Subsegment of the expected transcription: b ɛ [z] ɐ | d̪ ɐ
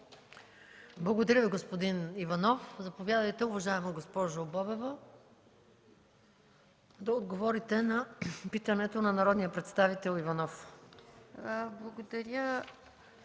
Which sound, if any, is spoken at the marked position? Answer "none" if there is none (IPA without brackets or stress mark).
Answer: v